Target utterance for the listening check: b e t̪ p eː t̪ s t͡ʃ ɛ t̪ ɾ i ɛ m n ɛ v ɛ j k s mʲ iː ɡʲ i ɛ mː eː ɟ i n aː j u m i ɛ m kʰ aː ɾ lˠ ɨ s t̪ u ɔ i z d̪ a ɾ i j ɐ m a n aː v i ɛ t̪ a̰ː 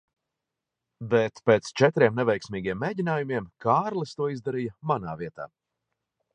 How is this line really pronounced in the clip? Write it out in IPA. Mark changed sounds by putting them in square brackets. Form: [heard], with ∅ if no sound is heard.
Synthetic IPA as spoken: b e t̪ p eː t̪ s t͡ʃ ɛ t̪ ɾ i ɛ m n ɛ v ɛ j k s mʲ iː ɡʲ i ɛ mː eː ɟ i n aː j u m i ɛ m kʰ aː ɾ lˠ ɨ s t̪ u ɔ i z d̪ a ɾ i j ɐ m a n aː v i ɛ t̪ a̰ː